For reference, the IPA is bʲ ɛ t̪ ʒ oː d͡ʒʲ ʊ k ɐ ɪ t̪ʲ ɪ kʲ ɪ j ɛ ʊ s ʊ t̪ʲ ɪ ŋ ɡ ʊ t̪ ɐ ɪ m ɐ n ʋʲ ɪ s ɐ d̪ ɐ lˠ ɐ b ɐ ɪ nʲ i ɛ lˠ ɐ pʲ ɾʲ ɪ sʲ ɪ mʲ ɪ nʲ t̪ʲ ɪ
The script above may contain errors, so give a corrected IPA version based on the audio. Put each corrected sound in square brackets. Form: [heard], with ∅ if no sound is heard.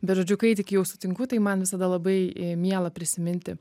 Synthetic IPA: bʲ ɛ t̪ ʒ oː d͡ʒʲ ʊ k ɐ ɪ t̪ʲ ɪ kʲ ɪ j ɛ ʊ s ʊ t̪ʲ ɪ ŋ [k] ʊ t̪ ɐ ɪ m ɐ n ʋʲ ɪ s ɐ d̪ ɐ lˠ ɐ b ɐ ɪ [mʲ] i ɛ lˠ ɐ pʲ ɾʲ ɪ sʲ ɪ mʲ ɪ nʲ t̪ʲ ɪ